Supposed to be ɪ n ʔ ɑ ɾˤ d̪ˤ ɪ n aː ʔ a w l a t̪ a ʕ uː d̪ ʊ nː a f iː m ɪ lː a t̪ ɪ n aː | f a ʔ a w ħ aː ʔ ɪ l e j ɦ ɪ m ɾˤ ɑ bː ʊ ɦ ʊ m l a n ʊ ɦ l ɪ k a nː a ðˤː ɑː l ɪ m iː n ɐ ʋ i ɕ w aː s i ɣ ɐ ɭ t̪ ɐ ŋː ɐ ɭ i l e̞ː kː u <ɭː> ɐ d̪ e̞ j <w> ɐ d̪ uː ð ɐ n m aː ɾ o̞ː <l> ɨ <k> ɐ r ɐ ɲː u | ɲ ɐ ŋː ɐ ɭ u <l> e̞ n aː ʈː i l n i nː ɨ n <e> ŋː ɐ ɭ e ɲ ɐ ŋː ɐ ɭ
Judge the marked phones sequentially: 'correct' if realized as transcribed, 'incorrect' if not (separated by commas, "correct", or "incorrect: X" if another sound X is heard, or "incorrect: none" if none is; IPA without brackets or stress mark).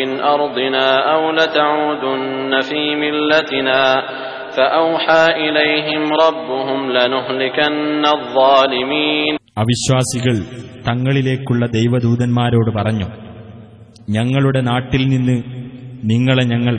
correct, incorrect: ʋ, incorrect: ɽ, incorrect: p, incorrect: ɽ, incorrect: i